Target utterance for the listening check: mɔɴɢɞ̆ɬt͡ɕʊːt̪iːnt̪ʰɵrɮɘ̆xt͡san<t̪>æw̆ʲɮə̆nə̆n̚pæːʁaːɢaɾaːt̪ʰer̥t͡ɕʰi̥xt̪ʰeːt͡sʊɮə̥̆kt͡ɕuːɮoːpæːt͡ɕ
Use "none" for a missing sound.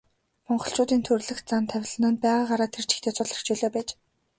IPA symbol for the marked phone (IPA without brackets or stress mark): t̪ʰ